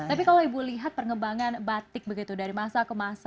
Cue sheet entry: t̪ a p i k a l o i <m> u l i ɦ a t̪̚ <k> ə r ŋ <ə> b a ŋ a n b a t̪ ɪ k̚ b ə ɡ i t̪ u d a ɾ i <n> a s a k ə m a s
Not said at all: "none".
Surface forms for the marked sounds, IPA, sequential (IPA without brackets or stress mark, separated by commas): b, p, ə, m